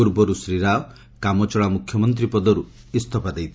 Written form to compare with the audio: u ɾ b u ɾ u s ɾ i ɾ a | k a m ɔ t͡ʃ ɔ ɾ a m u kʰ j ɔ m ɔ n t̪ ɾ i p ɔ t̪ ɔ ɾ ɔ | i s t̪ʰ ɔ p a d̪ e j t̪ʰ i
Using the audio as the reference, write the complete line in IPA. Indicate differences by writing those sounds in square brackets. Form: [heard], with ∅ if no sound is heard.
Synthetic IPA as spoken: u ɾ b [ɔ] ɾ u s ɾ i ɾ a | k a m ɔ t͡ʃ ɔ [ɭ] a m u kʰ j ɔ m ɔ n t̪ ɾ i p ɔ [d̪] ɔ ɾ [u] | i s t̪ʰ ɔ p a d̪ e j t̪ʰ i